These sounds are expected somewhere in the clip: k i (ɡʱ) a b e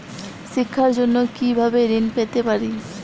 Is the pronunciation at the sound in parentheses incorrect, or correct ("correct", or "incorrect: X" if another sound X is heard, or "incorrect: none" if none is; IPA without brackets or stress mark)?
incorrect: bʱ